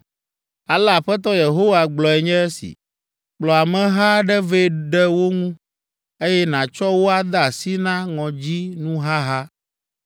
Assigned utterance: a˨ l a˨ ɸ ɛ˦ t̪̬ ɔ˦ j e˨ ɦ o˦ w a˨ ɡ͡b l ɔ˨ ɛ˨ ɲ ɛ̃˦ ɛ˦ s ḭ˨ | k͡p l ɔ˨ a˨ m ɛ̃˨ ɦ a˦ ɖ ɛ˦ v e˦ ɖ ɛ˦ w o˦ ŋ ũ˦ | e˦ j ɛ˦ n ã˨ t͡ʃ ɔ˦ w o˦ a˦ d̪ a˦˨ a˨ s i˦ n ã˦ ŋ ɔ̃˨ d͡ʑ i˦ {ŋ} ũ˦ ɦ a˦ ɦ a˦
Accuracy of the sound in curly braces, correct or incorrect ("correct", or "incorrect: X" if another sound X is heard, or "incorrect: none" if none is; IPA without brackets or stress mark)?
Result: incorrect: n